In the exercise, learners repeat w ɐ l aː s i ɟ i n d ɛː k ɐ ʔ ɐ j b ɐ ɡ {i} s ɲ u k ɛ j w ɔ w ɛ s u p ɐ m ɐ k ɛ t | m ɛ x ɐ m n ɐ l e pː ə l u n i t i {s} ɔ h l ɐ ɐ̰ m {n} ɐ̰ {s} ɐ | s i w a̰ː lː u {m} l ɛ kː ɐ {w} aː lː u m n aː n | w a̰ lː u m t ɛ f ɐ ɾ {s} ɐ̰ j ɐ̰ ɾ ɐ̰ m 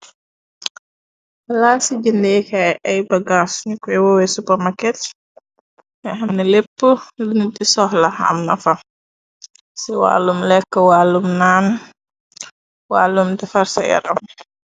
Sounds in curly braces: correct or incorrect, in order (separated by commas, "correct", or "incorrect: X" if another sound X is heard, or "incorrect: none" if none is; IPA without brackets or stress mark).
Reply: incorrect: a, correct, correct, incorrect: f, correct, correct, correct